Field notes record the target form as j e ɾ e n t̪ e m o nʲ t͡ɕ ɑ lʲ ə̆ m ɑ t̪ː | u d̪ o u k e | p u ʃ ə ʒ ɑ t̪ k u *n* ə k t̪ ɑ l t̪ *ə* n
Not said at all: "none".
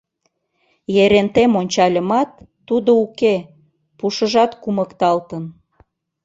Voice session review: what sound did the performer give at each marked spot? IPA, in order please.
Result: m, ə

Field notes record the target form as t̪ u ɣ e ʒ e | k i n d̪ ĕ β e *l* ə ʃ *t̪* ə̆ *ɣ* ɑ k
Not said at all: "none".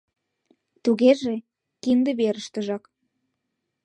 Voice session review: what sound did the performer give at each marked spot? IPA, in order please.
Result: ɾ, t̪, ʒ

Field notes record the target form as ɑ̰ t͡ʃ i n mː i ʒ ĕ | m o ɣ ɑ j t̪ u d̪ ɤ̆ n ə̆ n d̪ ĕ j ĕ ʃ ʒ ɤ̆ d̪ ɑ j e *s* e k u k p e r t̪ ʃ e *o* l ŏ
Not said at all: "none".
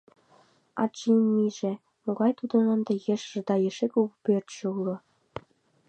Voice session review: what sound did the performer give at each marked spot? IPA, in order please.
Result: ʃ, u

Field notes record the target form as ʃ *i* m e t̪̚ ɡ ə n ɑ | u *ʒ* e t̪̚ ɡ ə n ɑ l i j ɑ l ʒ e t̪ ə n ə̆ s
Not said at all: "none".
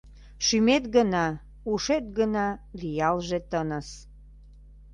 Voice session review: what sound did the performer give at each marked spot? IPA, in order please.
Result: y, ʃ

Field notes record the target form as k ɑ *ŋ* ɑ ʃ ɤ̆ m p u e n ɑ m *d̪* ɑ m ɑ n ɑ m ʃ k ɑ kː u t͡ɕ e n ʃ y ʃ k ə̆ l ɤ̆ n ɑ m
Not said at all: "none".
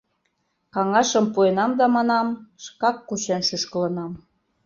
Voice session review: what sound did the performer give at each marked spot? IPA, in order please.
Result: ŋ, d̪

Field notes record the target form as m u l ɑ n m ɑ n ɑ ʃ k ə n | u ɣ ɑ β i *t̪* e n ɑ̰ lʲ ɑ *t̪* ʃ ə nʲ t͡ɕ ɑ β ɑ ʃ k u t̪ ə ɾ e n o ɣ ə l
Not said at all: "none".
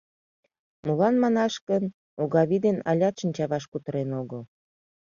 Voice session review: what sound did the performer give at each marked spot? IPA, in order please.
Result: d̪, t̪

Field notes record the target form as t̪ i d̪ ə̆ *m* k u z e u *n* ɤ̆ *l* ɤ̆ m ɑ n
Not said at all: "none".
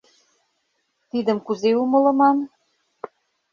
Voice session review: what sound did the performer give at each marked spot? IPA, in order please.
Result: m, m, l

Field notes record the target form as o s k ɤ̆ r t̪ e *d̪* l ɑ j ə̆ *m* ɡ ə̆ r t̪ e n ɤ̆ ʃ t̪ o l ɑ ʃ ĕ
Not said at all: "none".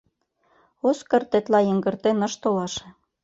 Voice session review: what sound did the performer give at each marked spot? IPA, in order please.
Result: t̪, ŋ

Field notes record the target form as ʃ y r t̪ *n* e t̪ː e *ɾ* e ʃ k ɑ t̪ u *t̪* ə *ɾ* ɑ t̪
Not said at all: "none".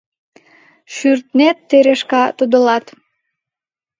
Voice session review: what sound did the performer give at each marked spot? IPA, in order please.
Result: n, ɾ, d̪, l

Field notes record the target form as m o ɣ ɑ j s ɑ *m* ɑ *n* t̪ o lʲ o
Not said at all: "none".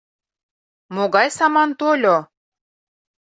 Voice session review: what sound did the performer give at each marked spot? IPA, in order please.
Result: m, n

